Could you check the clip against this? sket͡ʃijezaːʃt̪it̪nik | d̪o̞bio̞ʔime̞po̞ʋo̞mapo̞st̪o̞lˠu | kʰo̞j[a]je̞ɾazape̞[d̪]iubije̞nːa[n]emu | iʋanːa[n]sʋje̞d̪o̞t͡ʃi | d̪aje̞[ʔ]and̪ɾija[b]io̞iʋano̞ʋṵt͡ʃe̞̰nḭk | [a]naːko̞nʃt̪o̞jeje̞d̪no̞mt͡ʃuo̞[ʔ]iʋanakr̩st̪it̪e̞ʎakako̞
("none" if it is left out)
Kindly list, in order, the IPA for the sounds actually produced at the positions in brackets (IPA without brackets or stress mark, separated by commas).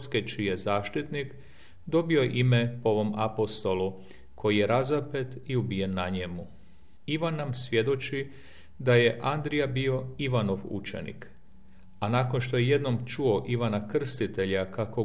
i, t̪, ɲ, m, ʔ, b, a, ʔ